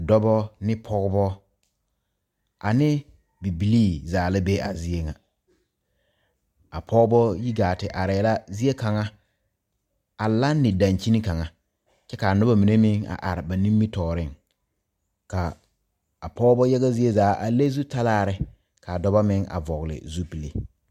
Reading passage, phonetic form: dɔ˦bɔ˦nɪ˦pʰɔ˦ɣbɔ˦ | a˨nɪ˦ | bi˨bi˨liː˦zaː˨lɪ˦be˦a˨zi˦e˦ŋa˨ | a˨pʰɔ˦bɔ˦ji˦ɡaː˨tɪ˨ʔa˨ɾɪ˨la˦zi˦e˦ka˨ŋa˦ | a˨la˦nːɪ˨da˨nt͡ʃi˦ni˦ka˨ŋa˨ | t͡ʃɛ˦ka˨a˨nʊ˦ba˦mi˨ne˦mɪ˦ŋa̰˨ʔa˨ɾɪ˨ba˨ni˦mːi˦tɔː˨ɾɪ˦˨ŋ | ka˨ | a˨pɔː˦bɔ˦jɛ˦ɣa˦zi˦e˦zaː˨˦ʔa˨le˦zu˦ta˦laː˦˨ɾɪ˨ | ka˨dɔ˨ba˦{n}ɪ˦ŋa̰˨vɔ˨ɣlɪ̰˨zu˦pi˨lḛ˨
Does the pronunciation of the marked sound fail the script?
yes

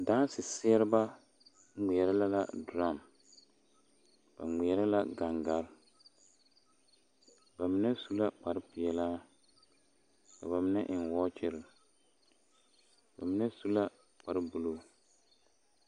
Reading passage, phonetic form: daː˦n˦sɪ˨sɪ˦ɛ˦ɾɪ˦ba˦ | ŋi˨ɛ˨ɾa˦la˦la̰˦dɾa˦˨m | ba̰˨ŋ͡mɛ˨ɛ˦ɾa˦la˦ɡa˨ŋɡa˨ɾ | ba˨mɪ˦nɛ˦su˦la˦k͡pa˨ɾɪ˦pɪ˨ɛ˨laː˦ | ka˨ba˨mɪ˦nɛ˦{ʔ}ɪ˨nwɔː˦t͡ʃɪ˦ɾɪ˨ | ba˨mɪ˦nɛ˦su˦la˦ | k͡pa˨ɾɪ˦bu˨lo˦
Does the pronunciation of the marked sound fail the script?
no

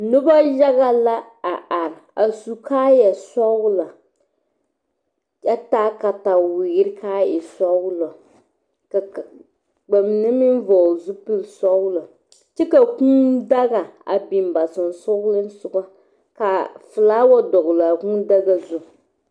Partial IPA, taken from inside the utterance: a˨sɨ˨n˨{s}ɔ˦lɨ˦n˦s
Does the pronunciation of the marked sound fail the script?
no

